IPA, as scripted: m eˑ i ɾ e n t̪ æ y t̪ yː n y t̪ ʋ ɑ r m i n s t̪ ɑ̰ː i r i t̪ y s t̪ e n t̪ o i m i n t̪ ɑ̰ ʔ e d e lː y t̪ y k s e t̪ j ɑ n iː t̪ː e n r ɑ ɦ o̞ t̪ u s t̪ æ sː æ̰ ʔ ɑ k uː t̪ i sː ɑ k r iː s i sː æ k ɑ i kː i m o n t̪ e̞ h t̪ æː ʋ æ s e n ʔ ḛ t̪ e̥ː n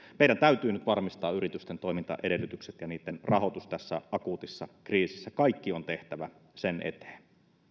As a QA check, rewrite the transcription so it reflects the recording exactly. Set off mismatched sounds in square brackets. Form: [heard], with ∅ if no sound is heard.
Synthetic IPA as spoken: m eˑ i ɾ [æ] n t̪ æ y t̪ yː n y t̪ ʋ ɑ r m i [∅] s t̪ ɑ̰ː [y] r i t̪ y s t̪ e n t̪ o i m i n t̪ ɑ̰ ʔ e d e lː y t̪ y k s e t̪ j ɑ n iː t̪ː e n r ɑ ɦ o̞ t̪ u s t̪ æ sː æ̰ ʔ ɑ k uː t̪ i sː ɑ k r iː s i sː æ k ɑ i kː i [∅] o n t̪ e̞ h t̪ [æ] ʋ æ s e n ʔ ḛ t̪ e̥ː n